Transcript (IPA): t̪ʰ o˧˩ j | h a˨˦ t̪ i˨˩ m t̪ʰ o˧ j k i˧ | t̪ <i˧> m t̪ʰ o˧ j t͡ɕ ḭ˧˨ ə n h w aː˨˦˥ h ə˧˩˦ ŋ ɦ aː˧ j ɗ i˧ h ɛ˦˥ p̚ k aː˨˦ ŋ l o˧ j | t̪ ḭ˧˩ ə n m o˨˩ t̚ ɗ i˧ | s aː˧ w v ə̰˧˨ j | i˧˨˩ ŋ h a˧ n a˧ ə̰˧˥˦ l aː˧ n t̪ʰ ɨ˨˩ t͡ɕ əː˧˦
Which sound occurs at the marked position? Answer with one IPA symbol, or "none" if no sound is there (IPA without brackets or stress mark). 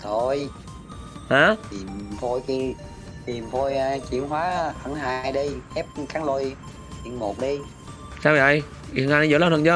i˨˩